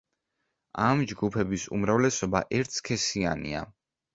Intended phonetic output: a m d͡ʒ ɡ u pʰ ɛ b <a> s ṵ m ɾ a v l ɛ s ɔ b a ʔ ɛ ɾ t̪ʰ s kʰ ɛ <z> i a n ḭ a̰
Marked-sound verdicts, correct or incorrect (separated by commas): incorrect, incorrect